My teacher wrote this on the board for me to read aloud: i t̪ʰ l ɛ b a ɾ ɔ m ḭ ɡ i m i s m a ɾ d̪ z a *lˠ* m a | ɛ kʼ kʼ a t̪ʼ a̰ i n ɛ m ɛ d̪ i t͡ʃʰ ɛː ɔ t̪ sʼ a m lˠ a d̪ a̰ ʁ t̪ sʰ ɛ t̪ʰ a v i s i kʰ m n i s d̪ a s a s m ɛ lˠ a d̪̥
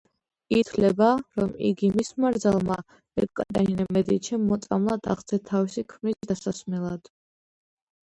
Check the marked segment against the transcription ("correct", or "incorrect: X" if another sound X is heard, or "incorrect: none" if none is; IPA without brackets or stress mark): correct